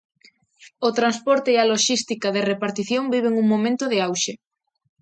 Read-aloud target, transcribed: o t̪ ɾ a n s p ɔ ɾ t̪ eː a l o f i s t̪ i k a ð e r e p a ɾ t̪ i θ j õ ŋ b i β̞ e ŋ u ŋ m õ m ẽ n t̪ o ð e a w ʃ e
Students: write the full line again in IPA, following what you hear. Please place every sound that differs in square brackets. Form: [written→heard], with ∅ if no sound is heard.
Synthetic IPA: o t̪ ɾ a n s p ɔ ɾ t̪ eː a l o [f→ʃ] i s t̪ i k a ð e r e p a ɾ t̪ i θ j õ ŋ b i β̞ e ŋ u ŋ m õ m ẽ n t̪ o ð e a w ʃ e